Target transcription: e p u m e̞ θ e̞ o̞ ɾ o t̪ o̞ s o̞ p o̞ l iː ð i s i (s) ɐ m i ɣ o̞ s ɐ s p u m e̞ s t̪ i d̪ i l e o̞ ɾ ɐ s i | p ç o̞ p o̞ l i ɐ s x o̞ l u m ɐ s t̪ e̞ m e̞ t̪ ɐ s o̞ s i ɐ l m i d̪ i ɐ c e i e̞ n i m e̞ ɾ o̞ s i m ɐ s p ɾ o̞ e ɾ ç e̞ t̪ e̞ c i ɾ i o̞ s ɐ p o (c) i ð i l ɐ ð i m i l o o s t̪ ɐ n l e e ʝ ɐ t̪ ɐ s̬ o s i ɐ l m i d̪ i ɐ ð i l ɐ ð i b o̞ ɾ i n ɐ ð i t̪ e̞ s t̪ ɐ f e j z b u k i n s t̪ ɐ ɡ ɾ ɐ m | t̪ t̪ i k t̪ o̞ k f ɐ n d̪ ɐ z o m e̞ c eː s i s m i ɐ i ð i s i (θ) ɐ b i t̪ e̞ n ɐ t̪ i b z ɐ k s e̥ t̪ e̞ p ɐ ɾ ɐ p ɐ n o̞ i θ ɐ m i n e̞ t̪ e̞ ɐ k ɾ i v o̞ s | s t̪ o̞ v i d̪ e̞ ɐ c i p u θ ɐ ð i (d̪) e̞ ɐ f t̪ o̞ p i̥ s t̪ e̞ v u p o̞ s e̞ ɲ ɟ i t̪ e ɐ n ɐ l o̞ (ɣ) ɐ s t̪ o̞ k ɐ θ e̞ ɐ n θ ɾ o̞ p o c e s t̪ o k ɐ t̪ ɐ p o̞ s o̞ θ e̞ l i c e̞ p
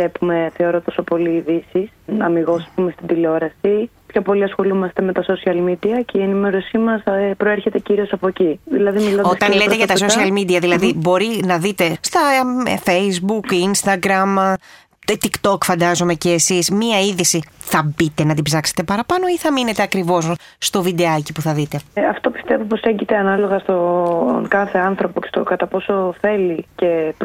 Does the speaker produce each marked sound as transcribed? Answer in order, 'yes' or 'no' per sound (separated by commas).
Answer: yes, yes, yes, no, yes